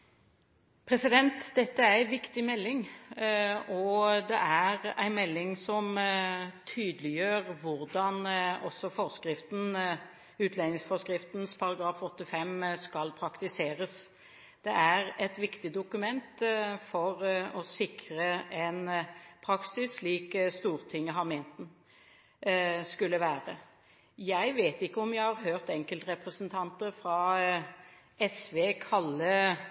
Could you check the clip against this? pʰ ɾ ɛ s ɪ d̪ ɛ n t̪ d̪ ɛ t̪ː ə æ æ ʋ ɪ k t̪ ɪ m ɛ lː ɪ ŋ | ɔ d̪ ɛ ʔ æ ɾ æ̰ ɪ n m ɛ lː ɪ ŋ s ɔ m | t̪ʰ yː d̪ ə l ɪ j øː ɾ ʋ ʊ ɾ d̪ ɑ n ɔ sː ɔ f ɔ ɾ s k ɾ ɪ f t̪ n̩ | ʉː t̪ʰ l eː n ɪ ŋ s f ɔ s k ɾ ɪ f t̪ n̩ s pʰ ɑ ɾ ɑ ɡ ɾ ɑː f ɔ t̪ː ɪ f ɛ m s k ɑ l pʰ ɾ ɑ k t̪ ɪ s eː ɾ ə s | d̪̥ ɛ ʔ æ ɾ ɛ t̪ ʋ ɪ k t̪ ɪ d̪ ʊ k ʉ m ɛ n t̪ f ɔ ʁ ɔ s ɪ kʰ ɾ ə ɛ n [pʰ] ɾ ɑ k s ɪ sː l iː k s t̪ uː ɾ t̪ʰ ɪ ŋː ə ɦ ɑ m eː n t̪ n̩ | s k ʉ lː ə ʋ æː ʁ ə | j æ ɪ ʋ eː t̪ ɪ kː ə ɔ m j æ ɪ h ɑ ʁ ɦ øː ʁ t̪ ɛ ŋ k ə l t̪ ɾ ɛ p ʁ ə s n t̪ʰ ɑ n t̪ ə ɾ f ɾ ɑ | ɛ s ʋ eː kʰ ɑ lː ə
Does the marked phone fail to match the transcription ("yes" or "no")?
no